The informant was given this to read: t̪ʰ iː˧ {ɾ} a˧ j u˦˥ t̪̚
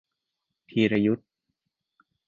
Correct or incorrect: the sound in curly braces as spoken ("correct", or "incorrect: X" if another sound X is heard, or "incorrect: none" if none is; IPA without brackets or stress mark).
correct